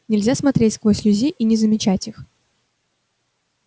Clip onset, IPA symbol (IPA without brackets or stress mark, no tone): nʲ